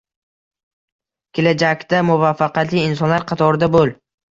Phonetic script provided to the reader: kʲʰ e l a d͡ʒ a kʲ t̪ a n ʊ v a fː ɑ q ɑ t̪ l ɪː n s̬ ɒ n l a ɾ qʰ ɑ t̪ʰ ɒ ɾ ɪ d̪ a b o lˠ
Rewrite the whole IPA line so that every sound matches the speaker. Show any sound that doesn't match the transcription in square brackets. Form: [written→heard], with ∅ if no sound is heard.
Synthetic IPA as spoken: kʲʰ e l a d͡ʒ a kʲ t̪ a [n→m] ʊ v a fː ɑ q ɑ t̪ l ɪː n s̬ ɒ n l a ɾ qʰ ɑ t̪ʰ ɒ ɾ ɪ d̪ a b o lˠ